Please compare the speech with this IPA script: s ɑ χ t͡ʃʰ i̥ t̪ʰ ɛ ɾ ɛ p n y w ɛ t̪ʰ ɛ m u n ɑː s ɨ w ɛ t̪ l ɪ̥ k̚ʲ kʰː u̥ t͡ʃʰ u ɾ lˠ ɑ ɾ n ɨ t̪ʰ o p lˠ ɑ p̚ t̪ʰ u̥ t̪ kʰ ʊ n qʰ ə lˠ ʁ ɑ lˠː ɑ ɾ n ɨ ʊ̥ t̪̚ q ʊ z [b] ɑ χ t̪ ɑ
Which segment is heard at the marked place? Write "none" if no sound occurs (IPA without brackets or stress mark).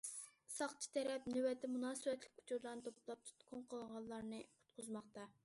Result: m